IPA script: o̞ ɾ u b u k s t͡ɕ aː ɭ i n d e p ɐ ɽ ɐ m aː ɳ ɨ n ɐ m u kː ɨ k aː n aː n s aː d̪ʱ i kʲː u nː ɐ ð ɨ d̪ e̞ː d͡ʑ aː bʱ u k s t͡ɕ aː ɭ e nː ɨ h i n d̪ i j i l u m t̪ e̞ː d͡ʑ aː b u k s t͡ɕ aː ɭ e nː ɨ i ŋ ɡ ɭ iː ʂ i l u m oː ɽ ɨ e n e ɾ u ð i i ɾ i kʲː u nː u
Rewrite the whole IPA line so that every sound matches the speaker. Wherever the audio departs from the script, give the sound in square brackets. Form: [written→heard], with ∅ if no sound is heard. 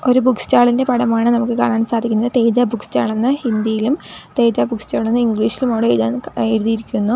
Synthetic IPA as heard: o̞ ɾ u b u k s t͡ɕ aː ɭ i n d e p ɐ ɽ ɐ m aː ɳ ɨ n ɐ m u kː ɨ k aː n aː n s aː d̪ʱ i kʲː u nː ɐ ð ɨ [d̪→t̪] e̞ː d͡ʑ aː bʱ u k s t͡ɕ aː ɭ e nː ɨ h i n d̪ i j i l u m t̪ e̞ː d͡ʑ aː b u k s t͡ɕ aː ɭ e nː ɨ i ŋ ɡ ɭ iː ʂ i l u m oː ɽ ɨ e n e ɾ u ð i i ɾ i kʲː u nː u